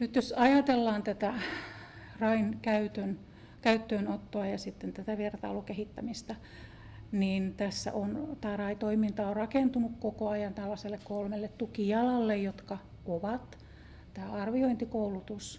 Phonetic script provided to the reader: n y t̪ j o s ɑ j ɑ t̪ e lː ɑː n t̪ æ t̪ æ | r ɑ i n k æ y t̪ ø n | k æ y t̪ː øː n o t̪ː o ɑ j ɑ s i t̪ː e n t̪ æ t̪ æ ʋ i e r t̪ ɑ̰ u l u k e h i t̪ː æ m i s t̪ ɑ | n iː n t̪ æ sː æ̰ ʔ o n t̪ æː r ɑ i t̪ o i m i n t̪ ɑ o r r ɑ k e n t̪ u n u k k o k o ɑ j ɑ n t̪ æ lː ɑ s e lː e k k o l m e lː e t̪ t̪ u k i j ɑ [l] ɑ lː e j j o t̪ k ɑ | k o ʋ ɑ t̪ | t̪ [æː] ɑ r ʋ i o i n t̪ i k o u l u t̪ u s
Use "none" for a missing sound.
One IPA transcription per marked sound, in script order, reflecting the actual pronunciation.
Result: l, æː

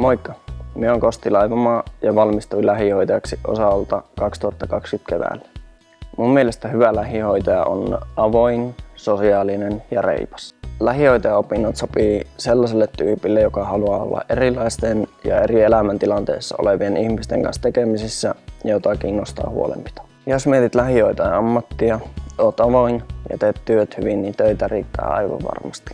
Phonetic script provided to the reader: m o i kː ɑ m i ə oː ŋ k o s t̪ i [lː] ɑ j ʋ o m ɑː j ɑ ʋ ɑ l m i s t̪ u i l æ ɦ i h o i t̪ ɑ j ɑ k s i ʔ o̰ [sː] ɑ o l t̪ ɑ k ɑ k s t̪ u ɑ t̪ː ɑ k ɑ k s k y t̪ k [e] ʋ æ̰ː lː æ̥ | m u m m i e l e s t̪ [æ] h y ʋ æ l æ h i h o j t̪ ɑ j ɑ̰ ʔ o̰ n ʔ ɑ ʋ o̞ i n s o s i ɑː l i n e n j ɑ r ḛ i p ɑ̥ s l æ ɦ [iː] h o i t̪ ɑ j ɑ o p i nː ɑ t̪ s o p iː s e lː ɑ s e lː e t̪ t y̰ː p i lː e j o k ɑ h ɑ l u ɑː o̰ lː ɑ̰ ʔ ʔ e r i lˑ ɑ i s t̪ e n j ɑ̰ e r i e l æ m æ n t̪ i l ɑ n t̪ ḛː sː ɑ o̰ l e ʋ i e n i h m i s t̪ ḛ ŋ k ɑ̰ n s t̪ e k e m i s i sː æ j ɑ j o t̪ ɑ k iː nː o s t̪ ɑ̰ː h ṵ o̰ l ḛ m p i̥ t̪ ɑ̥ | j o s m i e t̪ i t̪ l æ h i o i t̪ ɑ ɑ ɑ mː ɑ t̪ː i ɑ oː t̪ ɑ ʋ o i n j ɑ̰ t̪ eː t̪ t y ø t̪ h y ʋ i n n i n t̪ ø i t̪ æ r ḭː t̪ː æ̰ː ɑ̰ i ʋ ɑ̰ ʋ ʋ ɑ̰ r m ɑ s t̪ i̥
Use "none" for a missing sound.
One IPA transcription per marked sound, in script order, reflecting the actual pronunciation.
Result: l, s, e, æ, i

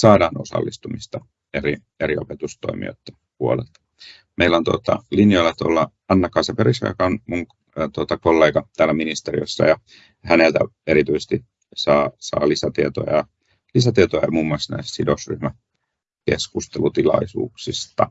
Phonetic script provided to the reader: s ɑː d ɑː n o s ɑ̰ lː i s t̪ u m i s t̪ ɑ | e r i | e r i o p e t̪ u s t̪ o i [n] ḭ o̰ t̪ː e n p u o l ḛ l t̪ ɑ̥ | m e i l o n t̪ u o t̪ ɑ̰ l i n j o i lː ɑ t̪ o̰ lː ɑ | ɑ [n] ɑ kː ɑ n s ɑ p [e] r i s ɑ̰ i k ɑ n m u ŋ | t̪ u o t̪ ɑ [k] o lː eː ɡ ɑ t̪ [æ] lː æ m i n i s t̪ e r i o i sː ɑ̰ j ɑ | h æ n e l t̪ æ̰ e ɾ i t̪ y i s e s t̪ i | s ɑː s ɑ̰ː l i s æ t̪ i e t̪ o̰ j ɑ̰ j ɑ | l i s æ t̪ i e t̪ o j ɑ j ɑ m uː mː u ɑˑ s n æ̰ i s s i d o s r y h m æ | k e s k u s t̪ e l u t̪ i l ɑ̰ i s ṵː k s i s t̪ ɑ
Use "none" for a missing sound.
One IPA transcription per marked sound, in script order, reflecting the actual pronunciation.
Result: m, nː, e, k, æː

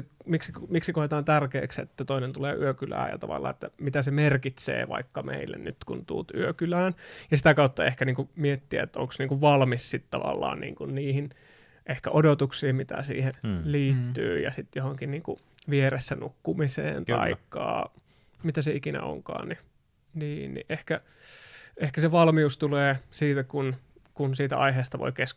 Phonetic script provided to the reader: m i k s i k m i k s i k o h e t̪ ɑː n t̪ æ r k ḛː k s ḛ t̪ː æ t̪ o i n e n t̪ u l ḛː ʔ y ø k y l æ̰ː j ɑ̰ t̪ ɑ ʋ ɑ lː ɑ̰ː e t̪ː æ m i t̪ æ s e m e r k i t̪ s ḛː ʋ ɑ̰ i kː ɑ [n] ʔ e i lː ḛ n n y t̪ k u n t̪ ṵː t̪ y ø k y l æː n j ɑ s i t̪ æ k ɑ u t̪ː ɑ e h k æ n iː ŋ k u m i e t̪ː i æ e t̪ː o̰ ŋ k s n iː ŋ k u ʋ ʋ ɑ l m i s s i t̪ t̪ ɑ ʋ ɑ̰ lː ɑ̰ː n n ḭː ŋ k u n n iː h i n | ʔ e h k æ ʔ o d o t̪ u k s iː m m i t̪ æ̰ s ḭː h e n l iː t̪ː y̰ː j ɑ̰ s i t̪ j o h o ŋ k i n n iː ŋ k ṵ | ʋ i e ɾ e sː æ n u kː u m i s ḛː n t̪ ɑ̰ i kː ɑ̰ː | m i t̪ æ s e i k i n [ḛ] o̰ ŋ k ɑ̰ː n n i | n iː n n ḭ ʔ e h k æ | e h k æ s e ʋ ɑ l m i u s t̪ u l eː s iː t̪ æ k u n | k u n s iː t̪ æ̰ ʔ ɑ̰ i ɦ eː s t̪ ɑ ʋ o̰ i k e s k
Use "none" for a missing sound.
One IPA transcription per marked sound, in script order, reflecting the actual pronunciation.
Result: m, æ̰

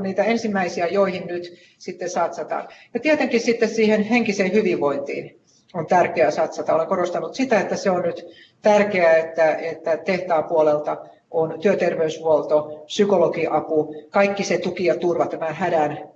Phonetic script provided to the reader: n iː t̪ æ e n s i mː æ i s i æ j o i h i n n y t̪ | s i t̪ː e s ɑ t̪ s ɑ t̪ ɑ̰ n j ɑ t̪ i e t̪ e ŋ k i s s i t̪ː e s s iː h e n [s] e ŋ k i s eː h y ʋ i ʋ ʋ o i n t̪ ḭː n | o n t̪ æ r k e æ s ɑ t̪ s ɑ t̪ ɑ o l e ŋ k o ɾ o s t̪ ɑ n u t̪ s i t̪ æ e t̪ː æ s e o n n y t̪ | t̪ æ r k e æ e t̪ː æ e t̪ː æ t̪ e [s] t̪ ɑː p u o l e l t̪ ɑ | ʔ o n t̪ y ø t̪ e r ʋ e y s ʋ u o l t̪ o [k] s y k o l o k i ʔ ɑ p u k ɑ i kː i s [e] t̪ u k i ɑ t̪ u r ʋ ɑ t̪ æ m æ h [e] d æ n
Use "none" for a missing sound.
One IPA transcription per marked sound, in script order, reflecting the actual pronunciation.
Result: h, h, p, e, æ

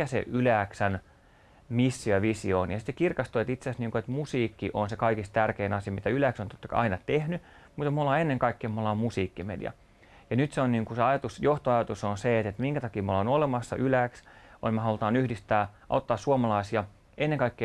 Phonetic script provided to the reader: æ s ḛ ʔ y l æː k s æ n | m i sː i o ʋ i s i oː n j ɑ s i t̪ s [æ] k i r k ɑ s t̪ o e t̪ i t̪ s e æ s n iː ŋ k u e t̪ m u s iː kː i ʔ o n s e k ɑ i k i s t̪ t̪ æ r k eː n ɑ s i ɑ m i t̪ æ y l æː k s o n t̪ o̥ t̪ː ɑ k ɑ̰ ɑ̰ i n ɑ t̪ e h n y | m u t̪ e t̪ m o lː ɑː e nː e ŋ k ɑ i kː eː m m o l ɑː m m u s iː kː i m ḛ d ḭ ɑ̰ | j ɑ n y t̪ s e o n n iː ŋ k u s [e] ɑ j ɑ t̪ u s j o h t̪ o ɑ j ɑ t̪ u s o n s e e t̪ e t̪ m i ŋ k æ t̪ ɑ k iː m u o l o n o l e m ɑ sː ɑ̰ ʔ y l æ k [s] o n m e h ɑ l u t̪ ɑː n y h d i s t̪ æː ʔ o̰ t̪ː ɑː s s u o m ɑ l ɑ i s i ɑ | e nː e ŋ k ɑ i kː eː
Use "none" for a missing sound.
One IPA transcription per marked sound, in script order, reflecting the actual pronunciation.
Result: e, e, s

